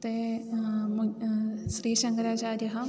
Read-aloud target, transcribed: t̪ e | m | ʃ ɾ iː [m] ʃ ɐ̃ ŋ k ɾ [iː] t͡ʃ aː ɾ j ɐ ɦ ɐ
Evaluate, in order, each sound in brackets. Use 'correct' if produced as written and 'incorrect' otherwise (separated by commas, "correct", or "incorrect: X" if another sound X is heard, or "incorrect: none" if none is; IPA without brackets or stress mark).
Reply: incorrect: none, incorrect: aː